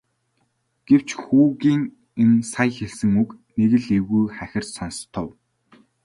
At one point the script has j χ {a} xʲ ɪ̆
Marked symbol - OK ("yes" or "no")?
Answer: no